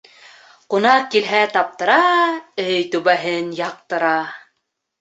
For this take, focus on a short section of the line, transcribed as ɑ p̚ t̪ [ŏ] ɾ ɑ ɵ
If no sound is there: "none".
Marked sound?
ɤ̆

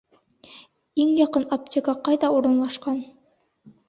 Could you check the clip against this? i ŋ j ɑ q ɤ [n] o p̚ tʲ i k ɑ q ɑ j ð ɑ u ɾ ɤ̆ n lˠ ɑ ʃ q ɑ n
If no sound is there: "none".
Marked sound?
n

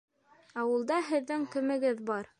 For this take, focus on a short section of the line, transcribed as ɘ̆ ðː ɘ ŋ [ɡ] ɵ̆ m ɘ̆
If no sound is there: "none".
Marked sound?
k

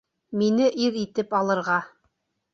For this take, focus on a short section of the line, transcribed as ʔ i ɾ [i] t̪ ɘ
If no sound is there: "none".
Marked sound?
i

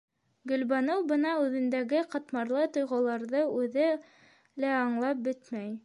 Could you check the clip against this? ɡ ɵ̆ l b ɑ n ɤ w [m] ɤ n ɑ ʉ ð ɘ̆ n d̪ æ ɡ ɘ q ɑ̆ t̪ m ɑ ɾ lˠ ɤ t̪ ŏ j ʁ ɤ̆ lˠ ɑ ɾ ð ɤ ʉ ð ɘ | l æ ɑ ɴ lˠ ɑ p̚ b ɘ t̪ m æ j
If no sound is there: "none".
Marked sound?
b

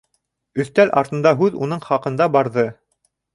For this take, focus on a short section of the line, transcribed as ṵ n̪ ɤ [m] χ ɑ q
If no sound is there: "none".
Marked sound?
ɴ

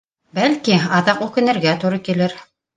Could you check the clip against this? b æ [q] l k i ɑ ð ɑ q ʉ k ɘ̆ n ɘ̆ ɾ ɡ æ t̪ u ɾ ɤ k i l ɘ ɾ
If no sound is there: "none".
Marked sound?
none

